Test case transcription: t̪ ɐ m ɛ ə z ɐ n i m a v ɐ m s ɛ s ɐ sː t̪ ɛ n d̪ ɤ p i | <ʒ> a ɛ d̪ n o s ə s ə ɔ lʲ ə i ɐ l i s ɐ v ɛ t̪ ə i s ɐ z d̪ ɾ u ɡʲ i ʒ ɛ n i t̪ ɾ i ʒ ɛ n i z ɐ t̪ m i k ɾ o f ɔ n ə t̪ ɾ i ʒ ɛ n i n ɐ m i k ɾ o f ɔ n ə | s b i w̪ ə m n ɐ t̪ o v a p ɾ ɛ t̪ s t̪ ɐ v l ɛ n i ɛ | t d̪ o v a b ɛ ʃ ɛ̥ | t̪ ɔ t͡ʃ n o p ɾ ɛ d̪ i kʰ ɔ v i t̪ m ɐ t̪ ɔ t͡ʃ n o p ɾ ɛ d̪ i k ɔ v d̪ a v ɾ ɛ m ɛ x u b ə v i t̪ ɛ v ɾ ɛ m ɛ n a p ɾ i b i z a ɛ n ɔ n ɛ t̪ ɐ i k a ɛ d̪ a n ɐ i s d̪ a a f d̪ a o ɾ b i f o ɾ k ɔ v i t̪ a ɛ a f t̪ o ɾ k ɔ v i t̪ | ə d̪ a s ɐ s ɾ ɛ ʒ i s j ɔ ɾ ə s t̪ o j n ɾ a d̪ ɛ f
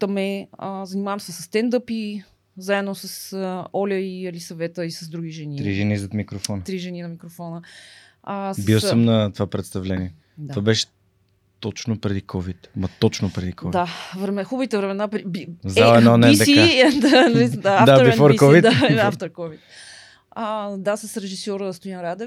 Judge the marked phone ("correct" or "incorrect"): incorrect